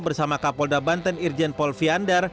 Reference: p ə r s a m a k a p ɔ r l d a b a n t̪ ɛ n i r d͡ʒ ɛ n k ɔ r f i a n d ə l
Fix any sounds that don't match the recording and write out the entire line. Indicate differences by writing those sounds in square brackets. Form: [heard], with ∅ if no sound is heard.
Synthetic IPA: [b] ə r s a m a k a p ɔ [∅] l d a b a n t̪ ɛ n i r d͡ʒ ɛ n [p] ɔ [l] f i a n d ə [r]